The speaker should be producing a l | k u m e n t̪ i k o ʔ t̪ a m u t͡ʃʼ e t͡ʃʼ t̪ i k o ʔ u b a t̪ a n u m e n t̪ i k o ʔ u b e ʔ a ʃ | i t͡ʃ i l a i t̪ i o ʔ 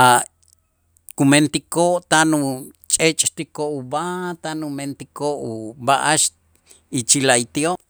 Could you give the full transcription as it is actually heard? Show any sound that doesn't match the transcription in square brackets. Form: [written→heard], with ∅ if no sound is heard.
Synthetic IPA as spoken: a [l→∅] | k u m e n t̪ i k o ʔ t̪ a [m→n] u t͡ʃʼ e t͡ʃʼ t̪ i k o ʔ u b a t̪ a n u m e n t̪ i k o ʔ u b [e→a] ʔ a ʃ | i t͡ʃ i l a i t̪ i o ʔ